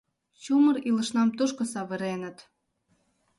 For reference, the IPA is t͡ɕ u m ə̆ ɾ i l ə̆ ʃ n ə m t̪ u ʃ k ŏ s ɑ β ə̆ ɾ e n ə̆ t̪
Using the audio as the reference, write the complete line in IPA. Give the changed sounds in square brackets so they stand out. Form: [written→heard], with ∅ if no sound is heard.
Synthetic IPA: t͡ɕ u m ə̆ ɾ i l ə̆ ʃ n [ə→ɑ] m t̪ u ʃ k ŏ s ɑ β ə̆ ɾ e n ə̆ t̪